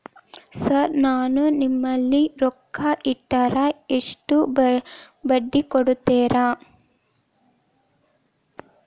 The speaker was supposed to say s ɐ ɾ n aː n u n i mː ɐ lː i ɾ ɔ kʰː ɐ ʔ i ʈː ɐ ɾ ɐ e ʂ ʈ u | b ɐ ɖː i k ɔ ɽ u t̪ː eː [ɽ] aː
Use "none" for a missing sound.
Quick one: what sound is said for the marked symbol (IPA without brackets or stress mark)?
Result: ɾ